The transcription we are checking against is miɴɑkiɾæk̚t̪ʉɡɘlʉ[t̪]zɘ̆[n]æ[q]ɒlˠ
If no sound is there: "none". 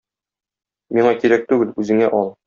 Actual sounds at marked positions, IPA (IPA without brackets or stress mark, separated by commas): none, ŋ, ʔ